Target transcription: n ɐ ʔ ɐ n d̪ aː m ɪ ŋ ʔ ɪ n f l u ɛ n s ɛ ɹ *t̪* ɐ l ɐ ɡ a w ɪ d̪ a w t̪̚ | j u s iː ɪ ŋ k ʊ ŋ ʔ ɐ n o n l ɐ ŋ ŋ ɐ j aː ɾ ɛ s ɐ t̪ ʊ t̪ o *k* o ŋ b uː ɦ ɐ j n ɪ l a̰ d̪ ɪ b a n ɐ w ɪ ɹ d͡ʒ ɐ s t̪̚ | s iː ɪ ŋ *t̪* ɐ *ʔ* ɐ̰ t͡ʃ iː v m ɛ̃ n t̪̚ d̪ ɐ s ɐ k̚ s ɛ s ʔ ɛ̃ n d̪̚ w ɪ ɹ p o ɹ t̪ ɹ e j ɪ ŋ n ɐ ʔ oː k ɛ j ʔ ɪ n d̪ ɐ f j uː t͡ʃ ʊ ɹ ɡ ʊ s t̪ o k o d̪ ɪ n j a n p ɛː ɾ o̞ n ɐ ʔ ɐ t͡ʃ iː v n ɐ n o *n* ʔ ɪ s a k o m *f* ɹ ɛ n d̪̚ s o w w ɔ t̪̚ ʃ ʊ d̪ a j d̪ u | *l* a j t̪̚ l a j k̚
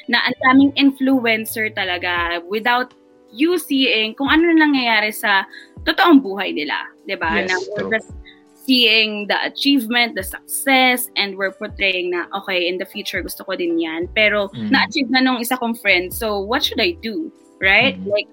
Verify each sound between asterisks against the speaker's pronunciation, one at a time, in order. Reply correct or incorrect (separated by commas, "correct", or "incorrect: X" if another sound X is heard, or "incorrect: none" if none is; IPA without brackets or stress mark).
correct, incorrect: ʔ, incorrect: d̪, correct, incorrect: ŋ, correct, incorrect: ɹ